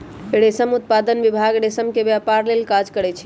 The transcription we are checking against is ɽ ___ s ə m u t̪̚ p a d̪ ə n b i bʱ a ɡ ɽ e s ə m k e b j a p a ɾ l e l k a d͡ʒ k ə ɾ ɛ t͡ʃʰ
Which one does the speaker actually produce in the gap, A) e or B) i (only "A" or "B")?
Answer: A